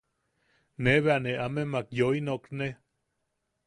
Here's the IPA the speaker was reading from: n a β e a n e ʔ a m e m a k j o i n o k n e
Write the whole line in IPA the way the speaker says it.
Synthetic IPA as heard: n e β e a n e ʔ a m e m a k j o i n o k n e